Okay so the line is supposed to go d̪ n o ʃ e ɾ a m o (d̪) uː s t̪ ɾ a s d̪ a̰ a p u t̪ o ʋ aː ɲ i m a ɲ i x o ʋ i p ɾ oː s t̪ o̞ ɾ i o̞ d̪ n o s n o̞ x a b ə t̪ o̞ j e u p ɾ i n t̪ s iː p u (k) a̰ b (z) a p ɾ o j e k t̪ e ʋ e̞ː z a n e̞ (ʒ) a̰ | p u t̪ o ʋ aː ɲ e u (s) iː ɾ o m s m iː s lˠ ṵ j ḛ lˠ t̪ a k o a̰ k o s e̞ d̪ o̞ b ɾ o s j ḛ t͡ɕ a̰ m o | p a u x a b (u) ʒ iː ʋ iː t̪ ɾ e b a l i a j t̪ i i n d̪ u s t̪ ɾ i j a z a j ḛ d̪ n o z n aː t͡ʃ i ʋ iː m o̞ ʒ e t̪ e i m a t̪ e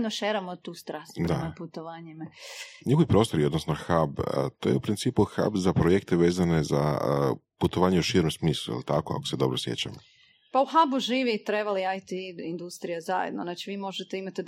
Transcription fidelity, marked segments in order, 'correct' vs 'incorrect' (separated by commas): incorrect, incorrect, correct, incorrect, incorrect, correct